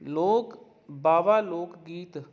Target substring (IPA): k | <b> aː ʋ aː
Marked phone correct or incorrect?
correct